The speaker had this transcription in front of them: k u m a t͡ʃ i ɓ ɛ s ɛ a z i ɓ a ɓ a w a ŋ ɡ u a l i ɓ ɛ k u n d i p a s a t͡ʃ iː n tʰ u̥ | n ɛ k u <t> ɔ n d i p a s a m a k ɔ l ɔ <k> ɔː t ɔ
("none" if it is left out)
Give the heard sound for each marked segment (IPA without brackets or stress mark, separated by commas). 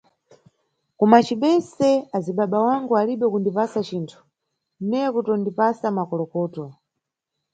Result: t, k